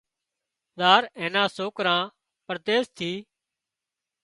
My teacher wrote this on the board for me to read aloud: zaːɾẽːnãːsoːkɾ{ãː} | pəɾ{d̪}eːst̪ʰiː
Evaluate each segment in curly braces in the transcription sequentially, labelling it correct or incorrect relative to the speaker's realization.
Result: correct, incorrect

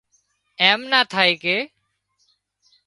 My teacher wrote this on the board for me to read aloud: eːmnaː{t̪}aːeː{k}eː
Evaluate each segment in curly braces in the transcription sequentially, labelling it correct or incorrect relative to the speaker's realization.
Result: incorrect, correct

